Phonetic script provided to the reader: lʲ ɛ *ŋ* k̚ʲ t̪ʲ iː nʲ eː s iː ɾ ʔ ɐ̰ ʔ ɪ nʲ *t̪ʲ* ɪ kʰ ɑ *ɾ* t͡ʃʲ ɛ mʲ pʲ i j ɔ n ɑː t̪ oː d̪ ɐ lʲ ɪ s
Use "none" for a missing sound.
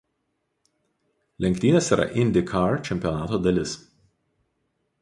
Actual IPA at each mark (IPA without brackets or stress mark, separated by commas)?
ŋ, d̪ʲ, ɾ